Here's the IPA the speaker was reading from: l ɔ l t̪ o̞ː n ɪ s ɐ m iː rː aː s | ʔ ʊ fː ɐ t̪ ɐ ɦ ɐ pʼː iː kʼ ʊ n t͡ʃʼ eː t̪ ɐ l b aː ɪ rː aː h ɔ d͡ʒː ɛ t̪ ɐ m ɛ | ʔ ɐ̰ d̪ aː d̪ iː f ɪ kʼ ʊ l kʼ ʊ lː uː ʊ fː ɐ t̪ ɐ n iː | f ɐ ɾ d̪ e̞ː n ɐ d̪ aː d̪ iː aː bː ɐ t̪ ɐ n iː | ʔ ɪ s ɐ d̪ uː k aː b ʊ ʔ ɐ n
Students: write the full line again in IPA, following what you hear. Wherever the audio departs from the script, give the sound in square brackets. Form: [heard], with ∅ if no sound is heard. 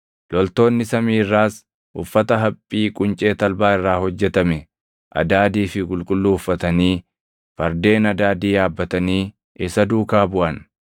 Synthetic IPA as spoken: l ɔ l t̪ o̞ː [nː] ɪ s ɐ m iː rː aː s | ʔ ʊ fː ɐ t̪ ɐ ɦ ɐ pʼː iː kʼ ʊ n t͡ʃʼ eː t̪ ɐ l b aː ɪ rː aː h ɔ d͡ʒː ɛ t̪ ɐ m ɛ | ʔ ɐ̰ d̪ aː d̪ iː f ɪ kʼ ʊ l kʼ ʊ lː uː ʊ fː ɐ t̪ ɐ n iː | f ɐ ɾ d̪ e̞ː n ɐ d̪ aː d̪ iː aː bː ɐ t̪ ɐ n iː | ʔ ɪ s ɐ d̪ uː k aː b ʊ ʔ ɐ n